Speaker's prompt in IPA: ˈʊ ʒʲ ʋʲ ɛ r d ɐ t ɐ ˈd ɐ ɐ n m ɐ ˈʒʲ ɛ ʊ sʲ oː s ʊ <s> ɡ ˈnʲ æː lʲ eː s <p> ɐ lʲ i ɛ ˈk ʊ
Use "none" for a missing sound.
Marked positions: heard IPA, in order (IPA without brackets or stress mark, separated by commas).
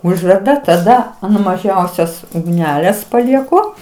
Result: none, p